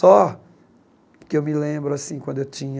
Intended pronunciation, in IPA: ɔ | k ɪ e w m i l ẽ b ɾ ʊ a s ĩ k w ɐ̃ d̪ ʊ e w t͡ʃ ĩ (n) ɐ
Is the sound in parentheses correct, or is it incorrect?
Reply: incorrect: ɲ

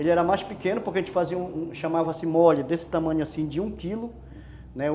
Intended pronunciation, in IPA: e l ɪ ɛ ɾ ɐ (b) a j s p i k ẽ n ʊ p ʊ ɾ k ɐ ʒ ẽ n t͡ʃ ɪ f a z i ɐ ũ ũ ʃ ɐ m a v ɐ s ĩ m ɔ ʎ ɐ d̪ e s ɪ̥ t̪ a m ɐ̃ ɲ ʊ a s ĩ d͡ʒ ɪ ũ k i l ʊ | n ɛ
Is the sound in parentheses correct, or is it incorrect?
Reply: incorrect: m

